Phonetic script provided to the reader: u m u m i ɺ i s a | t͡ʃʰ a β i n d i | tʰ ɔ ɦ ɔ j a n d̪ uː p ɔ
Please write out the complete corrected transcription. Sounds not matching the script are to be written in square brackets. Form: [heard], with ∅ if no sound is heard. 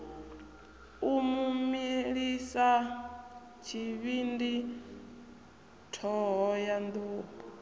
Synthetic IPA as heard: u m u m i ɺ i s a | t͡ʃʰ [i] β i n d i | tʰ ɔ ɦ ɔ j a n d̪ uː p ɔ

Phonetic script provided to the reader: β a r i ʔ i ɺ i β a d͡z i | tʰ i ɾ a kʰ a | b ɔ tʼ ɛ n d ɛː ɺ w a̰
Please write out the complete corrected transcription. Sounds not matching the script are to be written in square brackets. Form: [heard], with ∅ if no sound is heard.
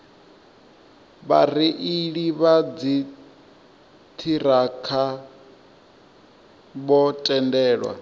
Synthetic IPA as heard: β a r i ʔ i ɺ i β a d͡z i | tʰ i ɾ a kʰ a | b ɔ tʼ ɛ n d ɛː ɺ w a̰

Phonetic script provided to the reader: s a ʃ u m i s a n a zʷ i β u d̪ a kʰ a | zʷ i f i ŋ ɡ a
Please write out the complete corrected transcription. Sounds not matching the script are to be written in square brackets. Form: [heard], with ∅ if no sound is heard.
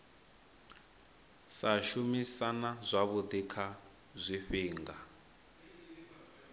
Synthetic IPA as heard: s a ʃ u m i s a n a zʷ [a] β u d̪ [i] kʰ a | zʷ i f [iː] ŋ ɡ a

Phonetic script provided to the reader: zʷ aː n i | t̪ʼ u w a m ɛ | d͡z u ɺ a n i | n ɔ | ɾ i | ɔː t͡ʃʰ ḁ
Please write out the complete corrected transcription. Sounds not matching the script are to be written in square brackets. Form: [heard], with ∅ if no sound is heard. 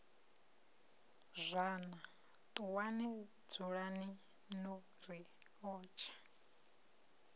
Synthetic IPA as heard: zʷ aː n [a] | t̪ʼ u w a [n] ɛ | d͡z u ɺ a n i | n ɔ | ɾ i | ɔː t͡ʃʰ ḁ

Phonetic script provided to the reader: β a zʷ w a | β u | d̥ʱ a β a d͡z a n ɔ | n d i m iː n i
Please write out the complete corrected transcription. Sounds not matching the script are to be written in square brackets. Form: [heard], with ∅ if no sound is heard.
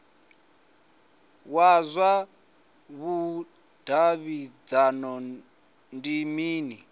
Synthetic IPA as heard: [w] a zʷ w a | β u | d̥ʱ a β [i] d͡z a n ɔ | n d i m iː n i

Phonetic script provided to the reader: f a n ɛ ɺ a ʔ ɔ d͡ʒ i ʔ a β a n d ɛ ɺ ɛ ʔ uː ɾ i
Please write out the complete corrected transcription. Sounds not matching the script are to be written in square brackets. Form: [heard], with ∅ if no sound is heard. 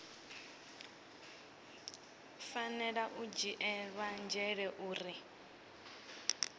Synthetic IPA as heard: f a n ɛ ɺ a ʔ [u] d͡ʒ i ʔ [ɛ] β a n [d͡ʒ] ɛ ɺ ɛ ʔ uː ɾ i

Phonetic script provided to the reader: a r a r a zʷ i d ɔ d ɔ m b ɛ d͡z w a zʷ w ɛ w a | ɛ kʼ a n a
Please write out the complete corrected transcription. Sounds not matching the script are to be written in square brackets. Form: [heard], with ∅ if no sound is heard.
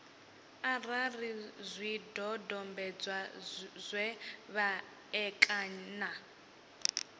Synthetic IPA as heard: a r a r [i] zʷ i d ɔ d ɔ m b ɛ d͡z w a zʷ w ɛ [β] a | ɛ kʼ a n a

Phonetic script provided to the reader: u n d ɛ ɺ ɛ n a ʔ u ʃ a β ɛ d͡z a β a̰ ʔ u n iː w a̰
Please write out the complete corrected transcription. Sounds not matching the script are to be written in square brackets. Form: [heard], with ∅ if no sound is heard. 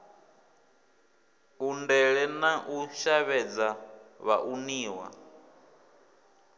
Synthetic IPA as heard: u n d ɛ ɺ ɛ n a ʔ u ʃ a β ɛ d͡z a β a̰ ʔ u n iː w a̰

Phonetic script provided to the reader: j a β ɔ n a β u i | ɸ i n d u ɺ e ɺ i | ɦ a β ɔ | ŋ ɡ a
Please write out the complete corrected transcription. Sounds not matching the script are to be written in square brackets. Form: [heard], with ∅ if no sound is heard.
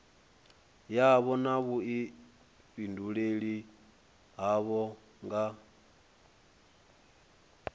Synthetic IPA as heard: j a β ɔ n a β u i | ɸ i n d u ɺ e ɺ i | ɦ a β ɔ | ŋ ɡ a

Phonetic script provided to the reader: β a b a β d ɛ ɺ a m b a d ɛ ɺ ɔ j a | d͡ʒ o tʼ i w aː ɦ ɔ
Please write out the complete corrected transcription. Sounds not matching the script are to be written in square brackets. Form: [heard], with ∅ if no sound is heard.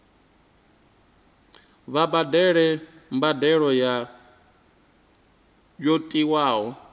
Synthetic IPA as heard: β a b a [∅] d ɛ ɺ [ɛ] m b a d ɛ ɺ ɔ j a | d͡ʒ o tʼ i w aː ɦ ɔ

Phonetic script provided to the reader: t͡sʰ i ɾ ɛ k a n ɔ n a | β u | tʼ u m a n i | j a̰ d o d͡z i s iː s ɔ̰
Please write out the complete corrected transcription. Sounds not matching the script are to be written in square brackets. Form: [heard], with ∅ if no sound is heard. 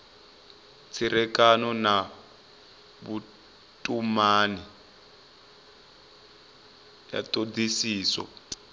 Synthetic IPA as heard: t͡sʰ i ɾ ɛ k a n ɔ n a | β u | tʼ u m a n i | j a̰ [t] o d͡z i s iː s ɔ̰

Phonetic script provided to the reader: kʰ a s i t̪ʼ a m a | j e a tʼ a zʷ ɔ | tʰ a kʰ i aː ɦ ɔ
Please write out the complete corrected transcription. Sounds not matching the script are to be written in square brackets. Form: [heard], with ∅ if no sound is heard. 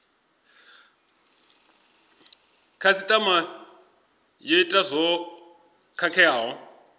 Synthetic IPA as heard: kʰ a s i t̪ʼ a m a | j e [i] tʼ a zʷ ɔ | [kʰ] a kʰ [ɛ] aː ɦ ɔ

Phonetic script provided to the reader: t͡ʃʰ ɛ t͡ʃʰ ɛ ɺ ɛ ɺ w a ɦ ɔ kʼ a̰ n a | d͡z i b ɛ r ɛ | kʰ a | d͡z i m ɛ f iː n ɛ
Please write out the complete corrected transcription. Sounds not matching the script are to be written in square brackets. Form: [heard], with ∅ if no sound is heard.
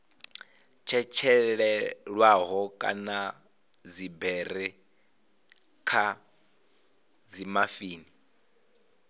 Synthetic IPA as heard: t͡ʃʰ ɛ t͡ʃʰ ɛ ɺ ɛ ɺ w a ɦ ɔ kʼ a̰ n a | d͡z i b ɛ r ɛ | kʰ a | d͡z i m [a] f iː n [i]

